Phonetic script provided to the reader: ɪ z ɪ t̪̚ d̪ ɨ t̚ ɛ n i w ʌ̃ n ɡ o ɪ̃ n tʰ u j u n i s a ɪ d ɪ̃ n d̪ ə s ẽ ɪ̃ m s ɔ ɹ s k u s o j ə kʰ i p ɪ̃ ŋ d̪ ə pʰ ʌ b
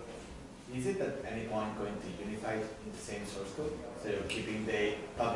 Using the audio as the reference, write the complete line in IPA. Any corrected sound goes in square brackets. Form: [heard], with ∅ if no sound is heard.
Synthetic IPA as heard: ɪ z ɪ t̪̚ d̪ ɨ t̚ ɛ n i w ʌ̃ n ɡ o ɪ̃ [ŋ] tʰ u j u n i [f] a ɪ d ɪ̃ n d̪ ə s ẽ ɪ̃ m s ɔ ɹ s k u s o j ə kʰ i p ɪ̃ ŋ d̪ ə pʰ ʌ b